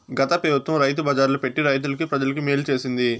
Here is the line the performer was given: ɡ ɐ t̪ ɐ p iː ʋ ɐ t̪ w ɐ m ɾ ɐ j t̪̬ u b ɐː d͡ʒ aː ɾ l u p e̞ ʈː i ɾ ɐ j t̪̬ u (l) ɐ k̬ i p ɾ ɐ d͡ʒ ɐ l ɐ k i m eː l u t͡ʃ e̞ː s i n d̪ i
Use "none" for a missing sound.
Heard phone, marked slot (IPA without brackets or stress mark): l